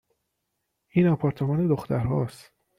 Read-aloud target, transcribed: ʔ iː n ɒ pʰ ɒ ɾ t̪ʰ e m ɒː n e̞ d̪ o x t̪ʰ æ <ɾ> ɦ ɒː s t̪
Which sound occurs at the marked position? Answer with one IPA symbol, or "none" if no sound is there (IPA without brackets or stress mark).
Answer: ɾ